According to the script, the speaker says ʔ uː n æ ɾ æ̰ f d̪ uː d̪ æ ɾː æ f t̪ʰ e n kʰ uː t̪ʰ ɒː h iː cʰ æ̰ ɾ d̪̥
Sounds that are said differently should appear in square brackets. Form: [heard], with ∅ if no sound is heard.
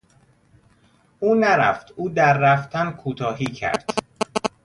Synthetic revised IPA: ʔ uː n æ ɾ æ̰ f [t̪] uː d̪ æ ɾː æ f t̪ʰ [æ] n kʰ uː t̪ʰ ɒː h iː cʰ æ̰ ɾ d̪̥